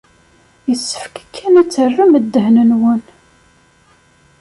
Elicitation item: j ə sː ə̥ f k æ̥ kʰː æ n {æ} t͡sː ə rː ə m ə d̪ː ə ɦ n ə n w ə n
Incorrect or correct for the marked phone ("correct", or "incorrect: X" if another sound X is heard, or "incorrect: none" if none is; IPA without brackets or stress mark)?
correct